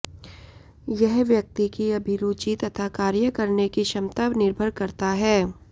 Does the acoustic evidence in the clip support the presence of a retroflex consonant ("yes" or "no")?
no